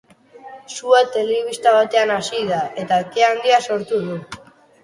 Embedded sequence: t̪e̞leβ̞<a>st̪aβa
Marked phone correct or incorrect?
incorrect